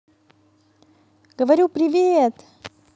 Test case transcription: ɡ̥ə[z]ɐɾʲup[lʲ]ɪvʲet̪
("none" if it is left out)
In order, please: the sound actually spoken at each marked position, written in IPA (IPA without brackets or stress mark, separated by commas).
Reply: v, ɾʲ